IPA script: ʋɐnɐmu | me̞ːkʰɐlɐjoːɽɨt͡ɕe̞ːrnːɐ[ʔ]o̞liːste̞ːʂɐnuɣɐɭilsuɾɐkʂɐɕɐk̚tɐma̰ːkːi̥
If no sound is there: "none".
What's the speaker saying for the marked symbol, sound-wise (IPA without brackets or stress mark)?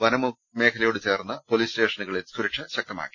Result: p